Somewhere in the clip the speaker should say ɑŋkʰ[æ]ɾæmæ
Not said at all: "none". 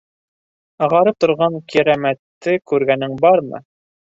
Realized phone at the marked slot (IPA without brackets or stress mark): i